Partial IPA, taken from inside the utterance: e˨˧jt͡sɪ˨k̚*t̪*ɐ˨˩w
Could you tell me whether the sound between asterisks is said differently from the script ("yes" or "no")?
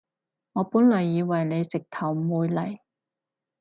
yes